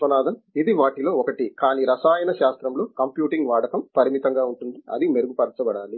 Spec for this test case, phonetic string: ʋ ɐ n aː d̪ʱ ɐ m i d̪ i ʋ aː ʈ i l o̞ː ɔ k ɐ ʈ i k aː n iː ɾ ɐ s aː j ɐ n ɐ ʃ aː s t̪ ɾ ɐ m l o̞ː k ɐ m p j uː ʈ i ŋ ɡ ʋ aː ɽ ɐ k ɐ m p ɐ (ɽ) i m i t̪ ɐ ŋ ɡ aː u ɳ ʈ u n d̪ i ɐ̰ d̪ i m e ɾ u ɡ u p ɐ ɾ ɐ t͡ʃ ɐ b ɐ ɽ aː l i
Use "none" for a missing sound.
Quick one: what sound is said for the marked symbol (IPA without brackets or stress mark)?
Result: ɾ